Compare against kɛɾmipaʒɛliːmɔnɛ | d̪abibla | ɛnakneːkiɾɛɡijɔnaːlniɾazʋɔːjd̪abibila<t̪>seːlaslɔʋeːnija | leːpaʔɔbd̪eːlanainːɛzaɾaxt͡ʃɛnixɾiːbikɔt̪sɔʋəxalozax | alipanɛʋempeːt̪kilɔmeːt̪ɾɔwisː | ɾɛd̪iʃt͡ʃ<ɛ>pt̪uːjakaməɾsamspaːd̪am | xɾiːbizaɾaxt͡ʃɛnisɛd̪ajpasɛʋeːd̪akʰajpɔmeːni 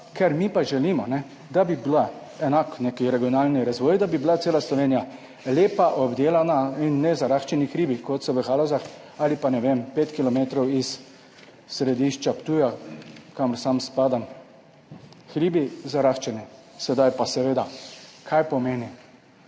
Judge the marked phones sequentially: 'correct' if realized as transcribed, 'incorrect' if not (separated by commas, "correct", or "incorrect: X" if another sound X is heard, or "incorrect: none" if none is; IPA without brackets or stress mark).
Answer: correct, incorrect: a